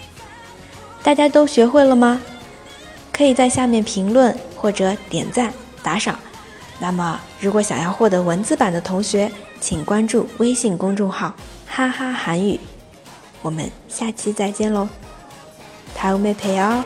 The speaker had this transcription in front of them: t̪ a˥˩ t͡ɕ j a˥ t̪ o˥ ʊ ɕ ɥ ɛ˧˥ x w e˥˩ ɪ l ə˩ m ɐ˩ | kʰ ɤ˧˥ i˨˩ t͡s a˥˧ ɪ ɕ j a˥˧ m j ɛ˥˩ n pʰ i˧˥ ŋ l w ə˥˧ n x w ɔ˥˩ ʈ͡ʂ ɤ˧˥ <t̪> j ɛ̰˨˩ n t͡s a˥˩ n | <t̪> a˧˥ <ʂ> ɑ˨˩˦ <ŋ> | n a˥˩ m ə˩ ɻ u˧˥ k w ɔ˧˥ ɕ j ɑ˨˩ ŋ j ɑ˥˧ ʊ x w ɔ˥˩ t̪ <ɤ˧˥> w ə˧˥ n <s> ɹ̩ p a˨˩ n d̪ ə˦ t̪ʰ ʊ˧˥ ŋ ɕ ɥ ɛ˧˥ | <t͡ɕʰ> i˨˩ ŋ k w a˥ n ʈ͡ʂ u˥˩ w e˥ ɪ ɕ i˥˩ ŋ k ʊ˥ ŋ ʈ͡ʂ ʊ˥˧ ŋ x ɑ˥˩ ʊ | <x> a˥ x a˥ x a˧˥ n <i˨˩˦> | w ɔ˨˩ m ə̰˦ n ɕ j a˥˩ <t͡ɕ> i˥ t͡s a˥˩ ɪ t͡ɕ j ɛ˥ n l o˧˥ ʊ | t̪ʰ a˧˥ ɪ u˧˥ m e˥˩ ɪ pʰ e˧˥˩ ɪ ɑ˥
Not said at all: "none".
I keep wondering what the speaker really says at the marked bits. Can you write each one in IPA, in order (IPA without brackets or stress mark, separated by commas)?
t̪, t̪, ʂ, ŋ, ɤ˧˥, t͡s, t͡ɕʰ, x, y˨˩˦, t͡ɕʰ